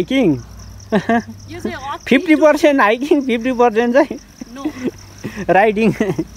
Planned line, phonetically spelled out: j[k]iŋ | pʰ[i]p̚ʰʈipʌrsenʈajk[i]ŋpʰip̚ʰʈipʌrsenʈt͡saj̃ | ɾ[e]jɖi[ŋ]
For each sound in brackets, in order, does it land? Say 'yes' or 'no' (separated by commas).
yes, yes, yes, no, yes